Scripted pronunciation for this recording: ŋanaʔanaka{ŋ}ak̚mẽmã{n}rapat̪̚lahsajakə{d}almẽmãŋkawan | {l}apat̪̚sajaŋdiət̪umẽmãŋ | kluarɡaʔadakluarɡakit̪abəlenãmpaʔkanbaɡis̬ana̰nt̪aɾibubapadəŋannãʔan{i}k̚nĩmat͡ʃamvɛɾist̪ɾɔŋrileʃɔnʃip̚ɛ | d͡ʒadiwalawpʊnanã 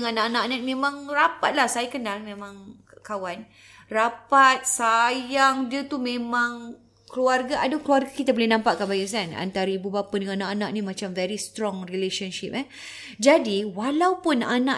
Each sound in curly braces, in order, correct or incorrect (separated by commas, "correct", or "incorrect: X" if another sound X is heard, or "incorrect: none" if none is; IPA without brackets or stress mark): incorrect: n, incorrect: ŋ, incorrect: n, incorrect: r, incorrect: a